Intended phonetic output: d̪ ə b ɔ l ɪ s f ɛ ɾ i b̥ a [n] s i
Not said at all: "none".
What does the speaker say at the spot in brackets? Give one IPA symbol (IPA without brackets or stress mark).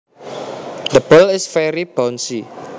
n